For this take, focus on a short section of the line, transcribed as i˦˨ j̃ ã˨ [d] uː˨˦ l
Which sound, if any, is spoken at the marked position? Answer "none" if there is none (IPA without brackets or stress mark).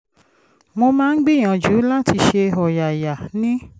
d͡ʒ